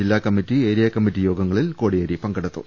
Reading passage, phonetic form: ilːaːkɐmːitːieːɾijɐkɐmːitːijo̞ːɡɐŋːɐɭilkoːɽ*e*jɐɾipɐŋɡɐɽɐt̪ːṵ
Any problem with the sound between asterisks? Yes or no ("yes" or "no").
yes